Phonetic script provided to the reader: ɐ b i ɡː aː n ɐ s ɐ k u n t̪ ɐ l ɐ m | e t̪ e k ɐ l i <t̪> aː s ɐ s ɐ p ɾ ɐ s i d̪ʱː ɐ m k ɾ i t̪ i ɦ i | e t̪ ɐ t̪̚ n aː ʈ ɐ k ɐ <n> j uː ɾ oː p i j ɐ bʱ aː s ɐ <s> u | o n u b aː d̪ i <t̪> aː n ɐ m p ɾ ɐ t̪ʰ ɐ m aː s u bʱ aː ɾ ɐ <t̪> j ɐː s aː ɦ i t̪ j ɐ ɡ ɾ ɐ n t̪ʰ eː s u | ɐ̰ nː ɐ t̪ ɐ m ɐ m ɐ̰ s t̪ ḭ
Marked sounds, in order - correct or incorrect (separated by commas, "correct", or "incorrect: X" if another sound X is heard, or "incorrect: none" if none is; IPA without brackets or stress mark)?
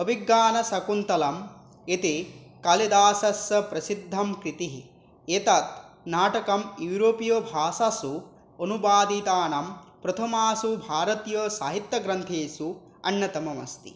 incorrect: d̪, incorrect: m, correct, correct, correct